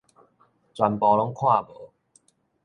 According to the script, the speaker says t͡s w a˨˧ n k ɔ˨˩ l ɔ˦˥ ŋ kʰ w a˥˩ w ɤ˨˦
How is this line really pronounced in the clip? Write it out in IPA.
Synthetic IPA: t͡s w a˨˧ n p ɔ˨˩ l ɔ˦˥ ŋ kʰ w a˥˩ b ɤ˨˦